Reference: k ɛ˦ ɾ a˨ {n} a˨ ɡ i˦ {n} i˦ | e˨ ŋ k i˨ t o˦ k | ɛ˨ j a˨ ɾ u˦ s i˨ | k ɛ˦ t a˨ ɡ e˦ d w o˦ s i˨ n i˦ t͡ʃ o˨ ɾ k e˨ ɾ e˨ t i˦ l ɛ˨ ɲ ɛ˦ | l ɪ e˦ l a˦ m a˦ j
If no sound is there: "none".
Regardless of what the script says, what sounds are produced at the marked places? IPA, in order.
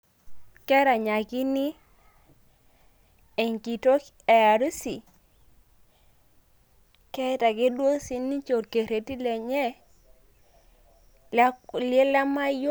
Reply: ɲ, n

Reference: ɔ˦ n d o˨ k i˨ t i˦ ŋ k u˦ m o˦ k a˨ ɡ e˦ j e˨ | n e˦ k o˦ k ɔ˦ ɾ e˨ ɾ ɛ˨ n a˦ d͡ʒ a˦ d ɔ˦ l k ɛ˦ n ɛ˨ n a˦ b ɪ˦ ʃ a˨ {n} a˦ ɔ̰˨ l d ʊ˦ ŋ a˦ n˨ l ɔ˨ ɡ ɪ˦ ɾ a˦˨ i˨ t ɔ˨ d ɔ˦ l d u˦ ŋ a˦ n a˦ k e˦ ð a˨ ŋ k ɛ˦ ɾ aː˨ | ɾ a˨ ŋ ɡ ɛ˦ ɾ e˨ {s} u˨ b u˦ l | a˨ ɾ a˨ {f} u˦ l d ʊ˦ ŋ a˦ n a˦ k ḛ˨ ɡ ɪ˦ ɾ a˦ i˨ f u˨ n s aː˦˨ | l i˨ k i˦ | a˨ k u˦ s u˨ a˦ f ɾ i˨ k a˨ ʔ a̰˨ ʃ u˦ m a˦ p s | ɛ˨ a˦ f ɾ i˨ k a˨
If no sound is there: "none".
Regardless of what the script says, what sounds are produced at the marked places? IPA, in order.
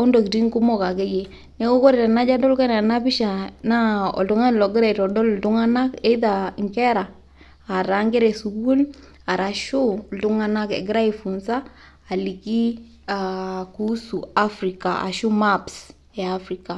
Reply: n, s, ʃ

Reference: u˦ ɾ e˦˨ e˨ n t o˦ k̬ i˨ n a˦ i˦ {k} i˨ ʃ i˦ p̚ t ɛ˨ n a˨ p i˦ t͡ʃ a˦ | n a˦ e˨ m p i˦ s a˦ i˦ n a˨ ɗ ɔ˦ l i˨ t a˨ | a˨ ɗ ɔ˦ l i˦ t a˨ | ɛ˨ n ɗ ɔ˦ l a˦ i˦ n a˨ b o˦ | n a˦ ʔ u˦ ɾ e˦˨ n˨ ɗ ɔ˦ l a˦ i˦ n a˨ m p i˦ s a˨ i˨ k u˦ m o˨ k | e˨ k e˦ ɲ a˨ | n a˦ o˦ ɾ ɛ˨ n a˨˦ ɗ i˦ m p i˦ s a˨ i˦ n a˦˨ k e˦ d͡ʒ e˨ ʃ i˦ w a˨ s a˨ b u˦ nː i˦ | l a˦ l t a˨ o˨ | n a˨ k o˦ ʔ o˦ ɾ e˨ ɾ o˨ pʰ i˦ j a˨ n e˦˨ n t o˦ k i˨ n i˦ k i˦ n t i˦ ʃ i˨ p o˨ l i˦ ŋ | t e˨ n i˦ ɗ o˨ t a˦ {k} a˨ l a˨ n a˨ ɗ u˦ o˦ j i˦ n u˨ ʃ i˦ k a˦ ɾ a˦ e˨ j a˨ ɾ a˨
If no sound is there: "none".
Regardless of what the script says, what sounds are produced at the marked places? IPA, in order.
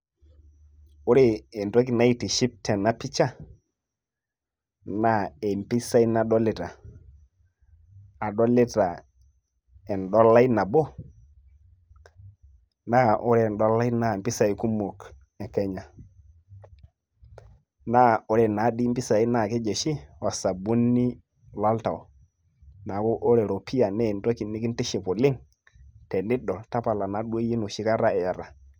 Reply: t, p

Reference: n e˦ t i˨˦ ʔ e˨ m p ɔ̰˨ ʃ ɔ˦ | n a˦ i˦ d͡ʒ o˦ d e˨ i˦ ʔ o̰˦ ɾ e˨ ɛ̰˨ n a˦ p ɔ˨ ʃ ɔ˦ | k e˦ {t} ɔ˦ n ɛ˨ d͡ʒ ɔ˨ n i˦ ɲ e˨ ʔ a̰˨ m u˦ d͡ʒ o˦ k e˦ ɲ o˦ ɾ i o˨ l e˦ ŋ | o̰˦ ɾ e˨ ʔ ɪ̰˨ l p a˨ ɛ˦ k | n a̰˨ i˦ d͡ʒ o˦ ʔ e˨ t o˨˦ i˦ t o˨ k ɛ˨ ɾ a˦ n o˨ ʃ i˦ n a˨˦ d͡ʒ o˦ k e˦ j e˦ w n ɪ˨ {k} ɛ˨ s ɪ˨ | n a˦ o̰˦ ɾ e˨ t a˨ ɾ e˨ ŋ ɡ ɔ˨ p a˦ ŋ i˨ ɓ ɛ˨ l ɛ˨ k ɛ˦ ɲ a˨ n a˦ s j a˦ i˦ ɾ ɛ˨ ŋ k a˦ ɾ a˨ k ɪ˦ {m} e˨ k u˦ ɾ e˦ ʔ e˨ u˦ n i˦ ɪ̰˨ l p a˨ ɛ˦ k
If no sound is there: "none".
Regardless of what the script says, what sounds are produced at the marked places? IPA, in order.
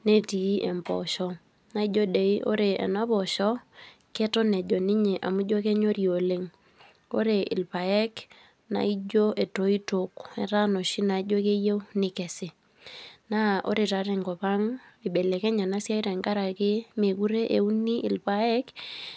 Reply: t, k, m

